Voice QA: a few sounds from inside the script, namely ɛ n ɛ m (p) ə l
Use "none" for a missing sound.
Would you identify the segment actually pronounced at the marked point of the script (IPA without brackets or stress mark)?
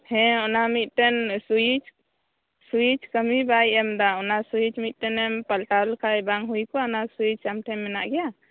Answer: p